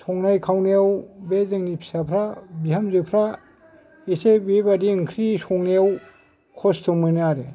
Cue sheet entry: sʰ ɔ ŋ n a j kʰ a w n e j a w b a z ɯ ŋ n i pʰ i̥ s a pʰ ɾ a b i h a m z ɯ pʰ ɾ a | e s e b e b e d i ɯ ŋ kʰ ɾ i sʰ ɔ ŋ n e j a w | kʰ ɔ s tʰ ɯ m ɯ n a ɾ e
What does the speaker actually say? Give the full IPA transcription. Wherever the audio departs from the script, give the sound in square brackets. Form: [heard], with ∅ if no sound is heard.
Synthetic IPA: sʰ ɔ ŋ n a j kʰ a w n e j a w b [e] z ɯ ŋ n i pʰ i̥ s a pʰ ɾ a b i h a m z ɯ pʰ ɾ a | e s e b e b [a] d i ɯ ŋ kʰ ɾ i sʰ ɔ ŋ n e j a w | kʰ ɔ s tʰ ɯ m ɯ n a ɾ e